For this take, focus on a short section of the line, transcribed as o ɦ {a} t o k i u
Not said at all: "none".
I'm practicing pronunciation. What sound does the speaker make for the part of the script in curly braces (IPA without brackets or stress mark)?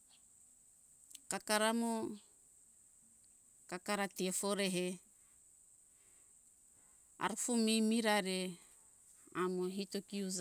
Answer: i